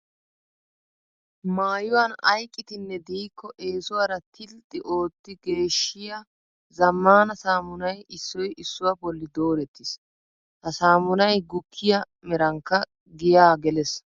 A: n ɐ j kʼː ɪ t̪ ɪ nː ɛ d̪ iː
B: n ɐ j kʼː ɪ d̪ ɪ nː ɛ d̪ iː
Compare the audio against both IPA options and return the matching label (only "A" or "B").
A